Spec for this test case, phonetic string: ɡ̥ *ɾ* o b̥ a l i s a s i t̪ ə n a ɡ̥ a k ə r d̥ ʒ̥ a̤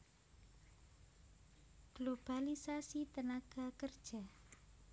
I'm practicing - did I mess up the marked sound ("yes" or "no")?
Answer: yes